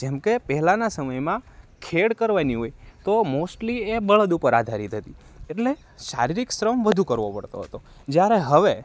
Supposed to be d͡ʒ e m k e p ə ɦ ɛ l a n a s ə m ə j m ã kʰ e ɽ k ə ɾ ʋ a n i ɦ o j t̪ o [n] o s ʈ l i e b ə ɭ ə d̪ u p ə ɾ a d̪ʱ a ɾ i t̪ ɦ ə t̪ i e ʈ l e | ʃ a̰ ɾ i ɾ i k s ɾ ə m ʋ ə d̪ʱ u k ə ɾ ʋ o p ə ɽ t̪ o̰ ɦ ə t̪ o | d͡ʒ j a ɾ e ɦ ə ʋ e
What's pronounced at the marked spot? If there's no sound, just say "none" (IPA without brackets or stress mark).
m